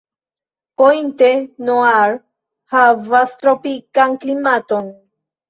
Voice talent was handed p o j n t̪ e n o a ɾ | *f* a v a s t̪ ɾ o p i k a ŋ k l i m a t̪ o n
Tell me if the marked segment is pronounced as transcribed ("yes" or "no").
no